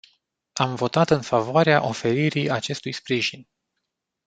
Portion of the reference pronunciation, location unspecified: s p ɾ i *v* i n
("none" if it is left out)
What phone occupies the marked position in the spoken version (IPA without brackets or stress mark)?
ʒ